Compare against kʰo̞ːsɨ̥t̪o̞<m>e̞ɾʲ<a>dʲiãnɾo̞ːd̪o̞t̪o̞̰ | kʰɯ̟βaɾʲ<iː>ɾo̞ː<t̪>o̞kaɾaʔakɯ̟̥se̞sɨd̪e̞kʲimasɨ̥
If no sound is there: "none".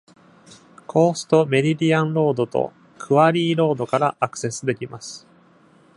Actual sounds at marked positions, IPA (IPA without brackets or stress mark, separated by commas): m, i, iː, d̪